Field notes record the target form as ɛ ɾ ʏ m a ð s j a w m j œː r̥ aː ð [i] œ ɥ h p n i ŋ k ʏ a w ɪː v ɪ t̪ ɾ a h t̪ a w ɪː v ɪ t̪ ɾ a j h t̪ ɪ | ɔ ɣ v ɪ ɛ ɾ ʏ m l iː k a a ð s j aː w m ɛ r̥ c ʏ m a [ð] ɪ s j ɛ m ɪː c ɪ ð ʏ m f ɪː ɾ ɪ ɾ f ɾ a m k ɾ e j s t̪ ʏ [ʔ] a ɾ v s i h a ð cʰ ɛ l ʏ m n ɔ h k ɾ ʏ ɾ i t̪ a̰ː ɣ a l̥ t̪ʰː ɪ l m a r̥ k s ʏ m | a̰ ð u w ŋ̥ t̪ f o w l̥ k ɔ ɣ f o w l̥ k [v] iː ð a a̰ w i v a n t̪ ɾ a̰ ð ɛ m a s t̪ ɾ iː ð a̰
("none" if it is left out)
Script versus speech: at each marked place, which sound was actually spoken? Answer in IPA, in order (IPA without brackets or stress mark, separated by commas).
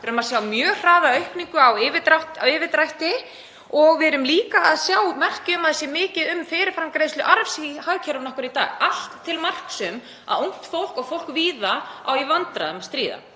a, ð, ʔ, v